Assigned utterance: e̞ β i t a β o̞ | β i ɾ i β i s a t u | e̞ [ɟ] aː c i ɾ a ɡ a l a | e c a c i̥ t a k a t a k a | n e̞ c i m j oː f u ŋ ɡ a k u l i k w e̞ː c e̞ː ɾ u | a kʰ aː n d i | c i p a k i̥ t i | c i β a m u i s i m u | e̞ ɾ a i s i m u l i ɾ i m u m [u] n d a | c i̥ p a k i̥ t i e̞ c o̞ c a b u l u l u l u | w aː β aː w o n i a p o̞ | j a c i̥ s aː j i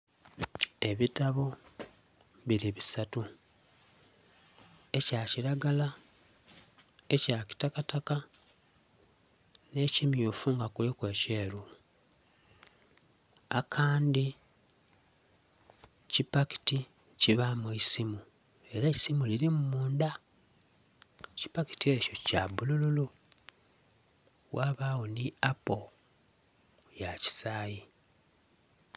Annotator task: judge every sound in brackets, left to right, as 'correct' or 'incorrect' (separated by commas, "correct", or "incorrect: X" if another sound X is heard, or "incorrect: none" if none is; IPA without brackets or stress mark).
incorrect: c, incorrect: uː